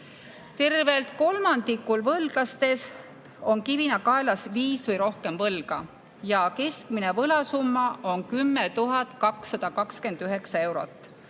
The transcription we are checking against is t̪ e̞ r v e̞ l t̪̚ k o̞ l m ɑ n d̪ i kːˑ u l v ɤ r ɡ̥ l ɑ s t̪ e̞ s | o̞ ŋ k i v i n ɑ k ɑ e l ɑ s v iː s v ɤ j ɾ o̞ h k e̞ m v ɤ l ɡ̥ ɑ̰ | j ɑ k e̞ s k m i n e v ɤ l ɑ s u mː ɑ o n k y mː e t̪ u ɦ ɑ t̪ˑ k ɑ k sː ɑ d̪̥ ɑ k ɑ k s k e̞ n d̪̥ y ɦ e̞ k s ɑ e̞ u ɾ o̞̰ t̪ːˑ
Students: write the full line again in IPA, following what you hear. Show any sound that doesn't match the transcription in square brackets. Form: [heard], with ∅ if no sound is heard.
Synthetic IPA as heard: t̪ e̞ r v e̞ l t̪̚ k o̞ l m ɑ n d̪ i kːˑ u l v ɤ [l] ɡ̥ l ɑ s t̪ e̞ s | o̞ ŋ k i v i n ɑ k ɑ e l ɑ s v iː s v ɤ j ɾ o̞ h k e̞ m v ɤ l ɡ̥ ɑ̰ | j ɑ k e̞ s k m i n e v ɤ l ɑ s u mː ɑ o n k y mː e t̪ u ɦ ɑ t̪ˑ k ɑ k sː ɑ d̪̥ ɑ k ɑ k s k e̞ n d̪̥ y ɦ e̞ k s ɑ e̞ [w] ɾ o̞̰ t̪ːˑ